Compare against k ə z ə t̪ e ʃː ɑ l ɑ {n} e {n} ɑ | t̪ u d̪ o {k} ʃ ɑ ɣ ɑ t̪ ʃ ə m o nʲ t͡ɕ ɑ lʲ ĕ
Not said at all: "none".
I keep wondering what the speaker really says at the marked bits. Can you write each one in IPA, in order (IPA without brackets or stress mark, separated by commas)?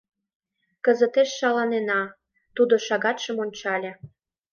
n, n, none